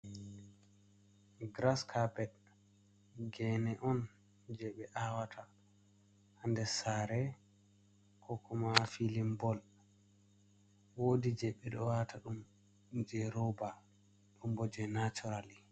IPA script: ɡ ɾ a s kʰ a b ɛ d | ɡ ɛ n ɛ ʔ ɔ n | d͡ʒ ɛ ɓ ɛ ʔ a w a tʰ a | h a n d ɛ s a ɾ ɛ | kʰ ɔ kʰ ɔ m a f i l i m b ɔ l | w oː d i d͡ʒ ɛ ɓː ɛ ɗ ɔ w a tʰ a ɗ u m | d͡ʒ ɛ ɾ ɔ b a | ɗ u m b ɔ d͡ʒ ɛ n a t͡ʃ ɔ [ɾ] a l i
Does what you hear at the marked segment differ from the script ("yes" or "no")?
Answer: no